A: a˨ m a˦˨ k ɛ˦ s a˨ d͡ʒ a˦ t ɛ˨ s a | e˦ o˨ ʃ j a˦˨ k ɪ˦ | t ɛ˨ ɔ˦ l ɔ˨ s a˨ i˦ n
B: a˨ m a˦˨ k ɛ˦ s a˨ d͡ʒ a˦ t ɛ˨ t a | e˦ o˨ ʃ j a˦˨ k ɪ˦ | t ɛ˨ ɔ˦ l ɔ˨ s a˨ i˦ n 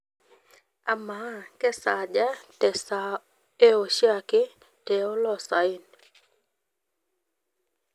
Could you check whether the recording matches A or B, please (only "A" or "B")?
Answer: A